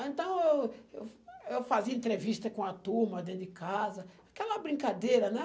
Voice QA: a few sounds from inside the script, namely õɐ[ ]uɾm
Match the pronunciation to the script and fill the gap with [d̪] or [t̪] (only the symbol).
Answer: t̪